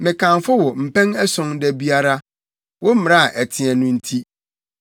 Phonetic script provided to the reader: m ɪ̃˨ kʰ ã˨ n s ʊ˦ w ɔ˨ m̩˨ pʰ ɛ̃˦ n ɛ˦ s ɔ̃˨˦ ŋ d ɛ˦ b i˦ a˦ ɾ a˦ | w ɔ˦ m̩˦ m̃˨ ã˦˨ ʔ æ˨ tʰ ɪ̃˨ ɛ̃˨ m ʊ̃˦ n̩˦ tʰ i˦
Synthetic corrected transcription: m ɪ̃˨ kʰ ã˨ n f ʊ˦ w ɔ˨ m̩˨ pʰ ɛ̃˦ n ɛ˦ s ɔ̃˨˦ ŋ d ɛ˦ b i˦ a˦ ɾ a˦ | w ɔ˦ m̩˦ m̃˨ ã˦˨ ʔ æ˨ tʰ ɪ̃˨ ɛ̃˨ n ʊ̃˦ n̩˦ tʰ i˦